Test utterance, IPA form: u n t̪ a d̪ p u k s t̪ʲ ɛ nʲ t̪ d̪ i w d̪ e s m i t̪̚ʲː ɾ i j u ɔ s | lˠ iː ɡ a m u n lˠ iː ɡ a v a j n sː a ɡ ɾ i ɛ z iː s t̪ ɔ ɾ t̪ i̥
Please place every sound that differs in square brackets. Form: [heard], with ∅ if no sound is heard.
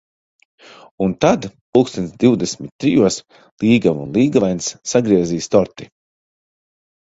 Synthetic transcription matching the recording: u n t̪ a d̪ p u k s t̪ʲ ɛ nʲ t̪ d̪ i w d̪ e s m i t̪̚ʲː ɾ i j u ɔ s | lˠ iː ɡ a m u n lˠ iː ɡ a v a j n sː a ɡ ɾ i ɛ z iː s t̪ ɔ ɾ t̪ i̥